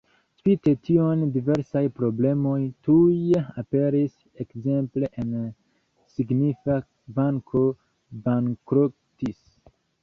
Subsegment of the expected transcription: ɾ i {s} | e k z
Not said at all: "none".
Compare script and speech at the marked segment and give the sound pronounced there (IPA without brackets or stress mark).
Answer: s